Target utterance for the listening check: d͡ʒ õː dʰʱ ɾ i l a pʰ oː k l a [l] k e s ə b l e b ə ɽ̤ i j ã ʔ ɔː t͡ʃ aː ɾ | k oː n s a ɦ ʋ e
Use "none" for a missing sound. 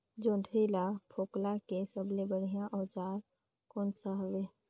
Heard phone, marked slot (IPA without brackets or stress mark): none